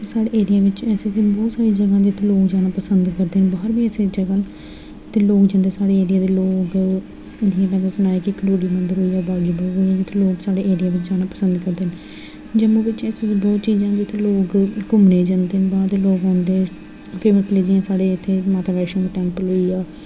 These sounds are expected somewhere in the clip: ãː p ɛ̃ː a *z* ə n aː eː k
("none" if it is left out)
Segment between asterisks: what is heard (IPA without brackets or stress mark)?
s